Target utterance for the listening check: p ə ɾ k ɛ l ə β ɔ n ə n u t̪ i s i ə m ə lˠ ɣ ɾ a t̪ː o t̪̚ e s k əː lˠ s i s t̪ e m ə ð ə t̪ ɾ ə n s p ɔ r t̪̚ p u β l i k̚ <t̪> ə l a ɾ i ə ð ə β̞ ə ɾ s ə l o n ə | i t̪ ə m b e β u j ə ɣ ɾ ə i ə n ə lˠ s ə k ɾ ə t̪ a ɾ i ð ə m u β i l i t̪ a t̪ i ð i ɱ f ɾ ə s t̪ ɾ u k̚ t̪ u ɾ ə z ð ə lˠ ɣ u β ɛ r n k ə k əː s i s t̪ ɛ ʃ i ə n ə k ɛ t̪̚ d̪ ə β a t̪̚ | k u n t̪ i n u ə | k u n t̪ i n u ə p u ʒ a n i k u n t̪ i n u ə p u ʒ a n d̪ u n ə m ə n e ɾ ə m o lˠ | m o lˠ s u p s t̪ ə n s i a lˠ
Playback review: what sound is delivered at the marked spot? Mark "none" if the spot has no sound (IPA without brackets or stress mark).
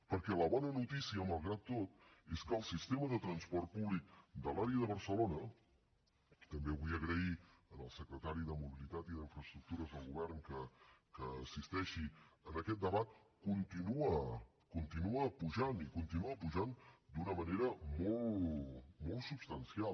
d̪